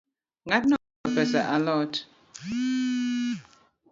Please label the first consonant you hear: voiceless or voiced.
voiced